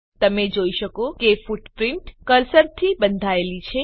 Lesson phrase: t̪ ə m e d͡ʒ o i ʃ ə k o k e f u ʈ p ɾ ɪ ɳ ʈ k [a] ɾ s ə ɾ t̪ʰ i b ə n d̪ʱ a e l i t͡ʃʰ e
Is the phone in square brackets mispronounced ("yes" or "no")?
yes